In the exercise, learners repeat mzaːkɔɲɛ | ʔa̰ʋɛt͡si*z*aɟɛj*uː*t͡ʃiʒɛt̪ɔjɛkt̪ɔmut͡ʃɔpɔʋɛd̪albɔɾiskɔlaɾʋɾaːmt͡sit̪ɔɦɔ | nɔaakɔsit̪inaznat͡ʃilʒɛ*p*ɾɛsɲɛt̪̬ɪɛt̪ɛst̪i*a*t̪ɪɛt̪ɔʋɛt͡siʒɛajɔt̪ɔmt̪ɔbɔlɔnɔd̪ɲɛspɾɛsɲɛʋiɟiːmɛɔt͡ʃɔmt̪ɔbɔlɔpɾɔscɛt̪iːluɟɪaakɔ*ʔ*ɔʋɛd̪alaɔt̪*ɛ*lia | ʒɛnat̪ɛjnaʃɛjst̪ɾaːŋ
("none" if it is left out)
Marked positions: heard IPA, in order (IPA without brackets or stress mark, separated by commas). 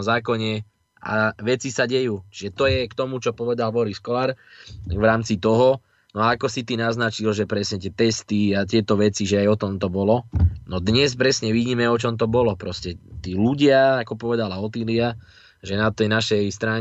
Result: s, uː, p, a, p, i